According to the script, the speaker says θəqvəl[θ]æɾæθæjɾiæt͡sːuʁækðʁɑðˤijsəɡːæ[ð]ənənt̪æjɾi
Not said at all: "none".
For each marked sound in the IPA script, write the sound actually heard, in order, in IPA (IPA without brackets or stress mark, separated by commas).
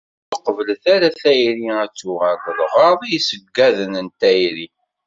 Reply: θ, ð